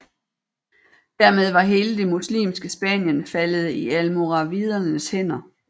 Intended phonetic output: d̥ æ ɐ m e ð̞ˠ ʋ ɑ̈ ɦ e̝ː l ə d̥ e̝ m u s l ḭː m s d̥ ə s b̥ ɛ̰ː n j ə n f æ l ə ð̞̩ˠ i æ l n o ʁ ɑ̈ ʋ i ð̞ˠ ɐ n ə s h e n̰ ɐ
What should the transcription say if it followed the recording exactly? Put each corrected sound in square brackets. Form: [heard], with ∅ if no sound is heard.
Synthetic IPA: d̥ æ ɐ m e ð̞ˠ ʋ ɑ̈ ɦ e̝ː l ə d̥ e̝ m u s l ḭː m s [ɡ̥] ə s b̥ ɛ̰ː n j ə n f æ l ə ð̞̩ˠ i æ l [m] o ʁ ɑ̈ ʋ i ð̞ˠ ɐ n ə s h e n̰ ɐ